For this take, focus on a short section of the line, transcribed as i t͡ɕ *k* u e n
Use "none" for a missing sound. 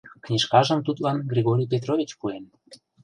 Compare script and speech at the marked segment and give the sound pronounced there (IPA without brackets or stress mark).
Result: p